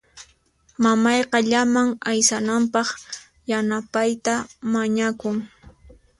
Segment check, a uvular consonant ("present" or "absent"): present